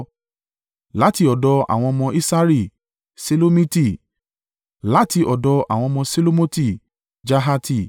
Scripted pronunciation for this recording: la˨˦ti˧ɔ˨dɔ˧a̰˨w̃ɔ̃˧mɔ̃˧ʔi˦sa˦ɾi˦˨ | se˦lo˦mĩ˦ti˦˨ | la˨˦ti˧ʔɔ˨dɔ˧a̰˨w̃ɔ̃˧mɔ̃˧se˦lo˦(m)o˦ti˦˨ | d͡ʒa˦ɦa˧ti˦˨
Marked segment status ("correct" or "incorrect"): correct